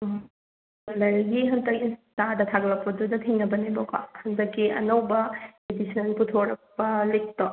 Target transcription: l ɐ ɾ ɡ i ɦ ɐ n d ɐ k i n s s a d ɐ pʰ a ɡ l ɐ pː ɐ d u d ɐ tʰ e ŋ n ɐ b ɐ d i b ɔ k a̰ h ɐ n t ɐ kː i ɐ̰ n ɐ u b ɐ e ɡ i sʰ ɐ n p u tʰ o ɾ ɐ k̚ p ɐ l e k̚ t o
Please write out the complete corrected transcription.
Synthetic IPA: l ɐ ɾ ɡ i ɦ ɐ n d ɐ k i n s t a d ɐ tʰ a ɡ l ɐ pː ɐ d u d ɐ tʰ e ŋ n ɐ b ɐ n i b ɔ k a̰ h ɐ n d ɐ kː i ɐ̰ n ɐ w b ɐ e d i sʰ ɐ n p u tʰ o ɾ ɐ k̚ p ɐ l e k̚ t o